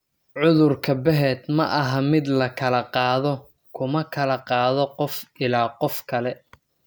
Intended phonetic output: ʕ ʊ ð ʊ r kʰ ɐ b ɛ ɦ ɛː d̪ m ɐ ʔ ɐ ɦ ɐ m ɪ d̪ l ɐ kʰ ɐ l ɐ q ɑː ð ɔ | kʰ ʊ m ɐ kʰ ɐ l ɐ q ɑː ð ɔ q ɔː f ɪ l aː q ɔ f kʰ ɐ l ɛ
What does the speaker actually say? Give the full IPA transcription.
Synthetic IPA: ʕ ʊ ð ʊ r kʰ ɐ b ɛ ɦ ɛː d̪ m ɐ ʔ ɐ ɦ ɐ m ɪ d̪ l ɐ kʰ ɐ l ɐ q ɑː ð ɔ | kʰ ʊ m ɐ kʰ ɐ l ɐ q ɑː ð ɔ q ɔ f ɪ l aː q ɔ f kʰ ɐ l ɛ